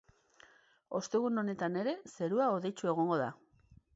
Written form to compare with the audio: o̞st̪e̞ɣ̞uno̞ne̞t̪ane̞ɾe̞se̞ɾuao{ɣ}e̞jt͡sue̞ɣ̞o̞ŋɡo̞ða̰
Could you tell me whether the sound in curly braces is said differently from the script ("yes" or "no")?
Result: yes